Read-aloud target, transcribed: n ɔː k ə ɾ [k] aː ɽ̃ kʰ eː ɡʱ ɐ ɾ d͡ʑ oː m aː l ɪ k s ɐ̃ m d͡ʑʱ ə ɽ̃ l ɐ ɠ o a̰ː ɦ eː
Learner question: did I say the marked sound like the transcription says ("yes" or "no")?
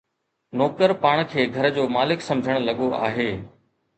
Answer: no